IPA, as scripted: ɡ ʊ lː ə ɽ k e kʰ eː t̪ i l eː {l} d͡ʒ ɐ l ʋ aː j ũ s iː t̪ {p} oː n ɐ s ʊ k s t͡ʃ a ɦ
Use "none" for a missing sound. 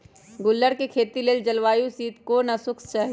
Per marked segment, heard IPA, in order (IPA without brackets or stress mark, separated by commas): l, k